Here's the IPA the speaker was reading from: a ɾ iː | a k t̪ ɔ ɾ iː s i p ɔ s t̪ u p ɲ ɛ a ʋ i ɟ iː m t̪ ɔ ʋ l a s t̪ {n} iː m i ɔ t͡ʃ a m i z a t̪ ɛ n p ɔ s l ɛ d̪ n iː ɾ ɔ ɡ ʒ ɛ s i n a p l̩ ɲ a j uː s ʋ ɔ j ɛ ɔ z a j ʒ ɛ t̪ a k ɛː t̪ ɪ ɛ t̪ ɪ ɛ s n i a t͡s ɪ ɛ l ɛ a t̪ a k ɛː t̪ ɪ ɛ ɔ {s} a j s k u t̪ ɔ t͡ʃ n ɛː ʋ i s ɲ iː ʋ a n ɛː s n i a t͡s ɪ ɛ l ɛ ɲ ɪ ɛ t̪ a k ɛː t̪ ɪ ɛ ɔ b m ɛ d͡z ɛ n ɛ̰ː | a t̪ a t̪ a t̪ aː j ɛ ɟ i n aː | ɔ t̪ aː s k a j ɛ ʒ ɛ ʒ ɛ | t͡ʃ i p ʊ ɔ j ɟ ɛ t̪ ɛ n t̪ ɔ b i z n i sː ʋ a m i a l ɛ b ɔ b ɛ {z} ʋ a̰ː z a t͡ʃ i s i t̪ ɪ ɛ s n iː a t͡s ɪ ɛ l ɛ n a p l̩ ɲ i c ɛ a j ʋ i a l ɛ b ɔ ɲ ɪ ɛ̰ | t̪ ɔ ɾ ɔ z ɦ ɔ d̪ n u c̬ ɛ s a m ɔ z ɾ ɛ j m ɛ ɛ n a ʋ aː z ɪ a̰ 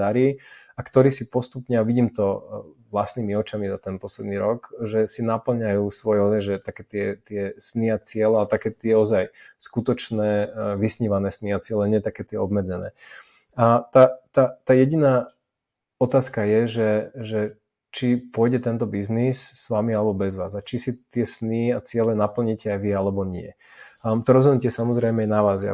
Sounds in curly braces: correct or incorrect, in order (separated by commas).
correct, incorrect, correct